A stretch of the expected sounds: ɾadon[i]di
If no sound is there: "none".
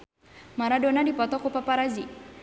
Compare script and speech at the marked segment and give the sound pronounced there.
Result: a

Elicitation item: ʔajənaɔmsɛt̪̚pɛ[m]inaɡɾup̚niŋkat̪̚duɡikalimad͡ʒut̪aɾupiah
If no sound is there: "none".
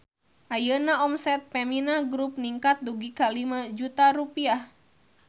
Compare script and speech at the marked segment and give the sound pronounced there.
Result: m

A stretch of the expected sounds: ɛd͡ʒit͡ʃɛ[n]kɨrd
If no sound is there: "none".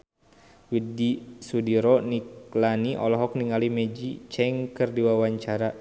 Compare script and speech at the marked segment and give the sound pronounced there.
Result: ŋ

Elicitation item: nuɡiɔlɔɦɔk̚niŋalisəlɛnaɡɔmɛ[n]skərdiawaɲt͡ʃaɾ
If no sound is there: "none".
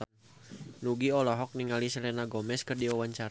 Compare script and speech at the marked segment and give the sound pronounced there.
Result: none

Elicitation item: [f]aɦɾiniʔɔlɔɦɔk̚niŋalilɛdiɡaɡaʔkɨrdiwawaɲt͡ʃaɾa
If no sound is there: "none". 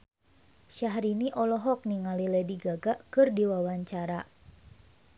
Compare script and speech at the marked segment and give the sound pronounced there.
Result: ʃ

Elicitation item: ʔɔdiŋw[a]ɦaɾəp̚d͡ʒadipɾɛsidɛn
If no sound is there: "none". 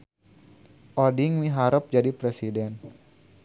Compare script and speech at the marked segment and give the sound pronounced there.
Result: i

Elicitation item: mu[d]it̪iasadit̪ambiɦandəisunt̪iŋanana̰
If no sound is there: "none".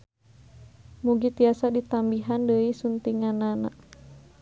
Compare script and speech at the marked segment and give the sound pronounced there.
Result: ɡ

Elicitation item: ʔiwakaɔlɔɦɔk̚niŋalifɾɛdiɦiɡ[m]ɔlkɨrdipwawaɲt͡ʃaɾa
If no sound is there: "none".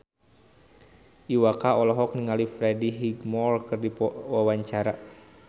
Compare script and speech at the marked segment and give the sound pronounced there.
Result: m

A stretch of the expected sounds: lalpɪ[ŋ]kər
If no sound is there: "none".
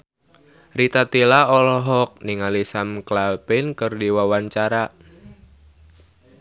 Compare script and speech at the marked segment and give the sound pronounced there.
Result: n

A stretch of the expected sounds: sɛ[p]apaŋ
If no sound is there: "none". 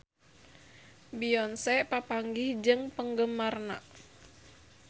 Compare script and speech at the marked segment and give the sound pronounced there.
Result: p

